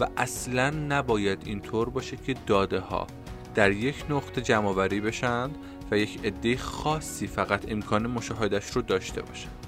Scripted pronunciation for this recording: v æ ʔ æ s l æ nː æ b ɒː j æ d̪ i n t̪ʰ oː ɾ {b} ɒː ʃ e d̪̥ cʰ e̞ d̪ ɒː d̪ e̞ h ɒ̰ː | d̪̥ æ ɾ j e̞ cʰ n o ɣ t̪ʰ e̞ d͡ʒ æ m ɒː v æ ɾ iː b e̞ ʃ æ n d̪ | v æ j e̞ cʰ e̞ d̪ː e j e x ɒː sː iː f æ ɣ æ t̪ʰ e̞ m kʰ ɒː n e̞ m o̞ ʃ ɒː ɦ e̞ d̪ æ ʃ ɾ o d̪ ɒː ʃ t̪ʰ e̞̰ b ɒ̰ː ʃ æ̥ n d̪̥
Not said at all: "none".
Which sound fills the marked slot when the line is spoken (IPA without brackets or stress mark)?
b